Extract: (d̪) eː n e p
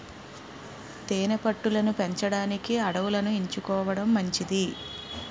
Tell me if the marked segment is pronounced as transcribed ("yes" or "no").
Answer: no